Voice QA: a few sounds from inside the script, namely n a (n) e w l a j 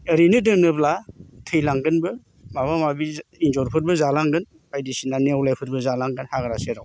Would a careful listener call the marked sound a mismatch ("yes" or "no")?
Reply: no